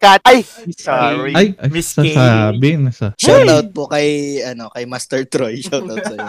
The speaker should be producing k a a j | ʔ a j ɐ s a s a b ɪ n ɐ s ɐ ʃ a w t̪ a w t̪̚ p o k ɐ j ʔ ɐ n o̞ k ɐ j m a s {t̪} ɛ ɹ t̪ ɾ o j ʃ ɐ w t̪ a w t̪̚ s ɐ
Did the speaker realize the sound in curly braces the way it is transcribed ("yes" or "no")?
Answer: yes